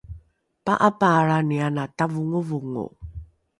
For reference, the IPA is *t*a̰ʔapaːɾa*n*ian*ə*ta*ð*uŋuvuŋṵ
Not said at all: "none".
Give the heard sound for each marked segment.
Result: p, n, a, v

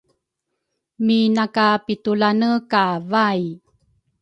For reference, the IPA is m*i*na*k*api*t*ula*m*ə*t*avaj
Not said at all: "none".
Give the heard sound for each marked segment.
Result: i, k, t, n, k

